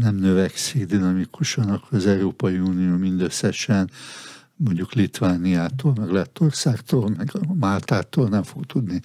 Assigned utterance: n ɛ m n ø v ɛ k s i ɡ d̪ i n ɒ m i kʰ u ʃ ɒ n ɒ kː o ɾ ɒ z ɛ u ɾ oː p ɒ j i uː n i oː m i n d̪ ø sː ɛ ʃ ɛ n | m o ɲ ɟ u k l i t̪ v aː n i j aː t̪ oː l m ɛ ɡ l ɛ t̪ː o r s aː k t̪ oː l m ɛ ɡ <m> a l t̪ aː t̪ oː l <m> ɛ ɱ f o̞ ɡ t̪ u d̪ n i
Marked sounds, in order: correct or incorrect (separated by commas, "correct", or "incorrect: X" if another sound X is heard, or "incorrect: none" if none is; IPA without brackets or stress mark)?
correct, incorrect: n